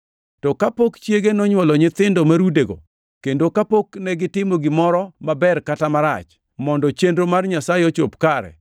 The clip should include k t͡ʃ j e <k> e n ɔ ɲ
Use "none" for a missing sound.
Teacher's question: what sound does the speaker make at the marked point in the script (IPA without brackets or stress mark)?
ɡ